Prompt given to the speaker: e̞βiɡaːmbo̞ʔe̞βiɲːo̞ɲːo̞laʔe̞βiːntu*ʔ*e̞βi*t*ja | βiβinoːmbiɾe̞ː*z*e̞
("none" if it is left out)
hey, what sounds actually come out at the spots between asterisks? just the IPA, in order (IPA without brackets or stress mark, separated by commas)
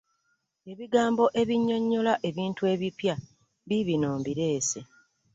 none, p, s